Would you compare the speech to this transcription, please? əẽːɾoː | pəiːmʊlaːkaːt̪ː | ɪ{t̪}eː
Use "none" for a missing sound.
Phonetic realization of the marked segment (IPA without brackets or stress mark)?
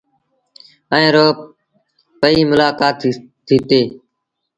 t̪